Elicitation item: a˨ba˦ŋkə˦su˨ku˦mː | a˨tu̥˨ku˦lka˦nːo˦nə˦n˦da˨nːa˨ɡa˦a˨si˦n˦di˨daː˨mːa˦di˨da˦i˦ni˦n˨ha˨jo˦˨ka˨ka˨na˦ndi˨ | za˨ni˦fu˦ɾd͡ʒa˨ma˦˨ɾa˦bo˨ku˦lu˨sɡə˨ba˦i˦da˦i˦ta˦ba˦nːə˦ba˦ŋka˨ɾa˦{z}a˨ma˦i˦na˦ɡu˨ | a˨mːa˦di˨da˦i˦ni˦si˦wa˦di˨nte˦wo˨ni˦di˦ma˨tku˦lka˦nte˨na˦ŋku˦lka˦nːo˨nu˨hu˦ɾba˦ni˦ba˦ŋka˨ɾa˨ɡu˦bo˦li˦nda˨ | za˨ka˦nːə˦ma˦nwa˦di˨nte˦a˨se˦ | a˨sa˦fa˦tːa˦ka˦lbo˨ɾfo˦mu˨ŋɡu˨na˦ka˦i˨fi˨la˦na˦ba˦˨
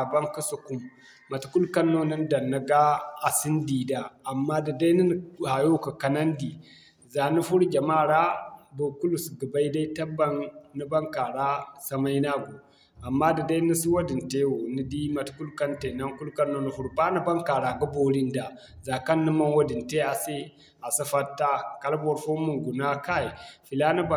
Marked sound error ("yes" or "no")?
yes